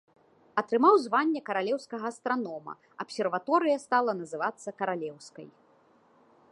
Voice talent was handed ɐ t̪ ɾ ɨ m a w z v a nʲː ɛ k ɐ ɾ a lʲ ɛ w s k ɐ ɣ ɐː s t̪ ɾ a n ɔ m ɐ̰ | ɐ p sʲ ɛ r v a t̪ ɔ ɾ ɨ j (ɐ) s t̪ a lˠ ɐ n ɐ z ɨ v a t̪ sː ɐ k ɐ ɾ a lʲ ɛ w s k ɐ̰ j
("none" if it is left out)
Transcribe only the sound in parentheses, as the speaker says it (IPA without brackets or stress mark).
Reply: ɐ